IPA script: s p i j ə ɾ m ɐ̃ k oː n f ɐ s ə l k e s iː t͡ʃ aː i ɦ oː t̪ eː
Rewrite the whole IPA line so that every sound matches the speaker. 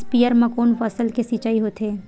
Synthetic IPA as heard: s p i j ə ɾ m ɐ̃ k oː n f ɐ s ə l k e s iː t͡ʃ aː i ɦ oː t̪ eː